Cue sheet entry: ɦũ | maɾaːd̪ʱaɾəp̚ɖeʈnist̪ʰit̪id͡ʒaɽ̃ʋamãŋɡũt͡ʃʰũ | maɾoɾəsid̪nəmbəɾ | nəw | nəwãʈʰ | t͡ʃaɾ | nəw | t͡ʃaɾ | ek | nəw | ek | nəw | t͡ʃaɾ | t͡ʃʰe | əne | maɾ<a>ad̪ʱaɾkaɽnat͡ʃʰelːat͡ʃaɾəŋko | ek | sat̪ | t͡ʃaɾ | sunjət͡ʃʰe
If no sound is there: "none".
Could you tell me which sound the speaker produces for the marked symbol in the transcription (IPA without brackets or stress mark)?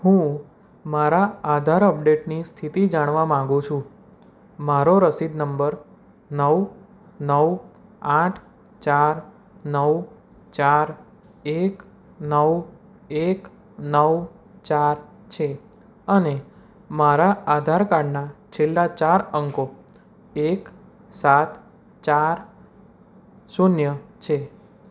a